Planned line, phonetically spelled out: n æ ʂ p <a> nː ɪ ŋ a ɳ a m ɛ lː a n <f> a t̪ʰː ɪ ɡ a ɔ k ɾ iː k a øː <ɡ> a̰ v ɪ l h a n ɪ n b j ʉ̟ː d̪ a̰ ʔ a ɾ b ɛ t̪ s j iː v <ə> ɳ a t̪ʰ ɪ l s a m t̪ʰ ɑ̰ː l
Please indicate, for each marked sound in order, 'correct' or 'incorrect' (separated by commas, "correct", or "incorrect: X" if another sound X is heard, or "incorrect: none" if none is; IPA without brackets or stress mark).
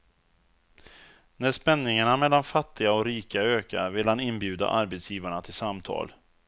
incorrect: ɛ, correct, incorrect: k, incorrect: a